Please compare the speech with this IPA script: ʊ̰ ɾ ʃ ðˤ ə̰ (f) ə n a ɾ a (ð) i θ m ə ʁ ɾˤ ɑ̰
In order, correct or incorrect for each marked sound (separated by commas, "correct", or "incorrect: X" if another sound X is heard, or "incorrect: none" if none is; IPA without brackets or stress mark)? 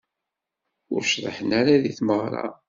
incorrect: ħ, correct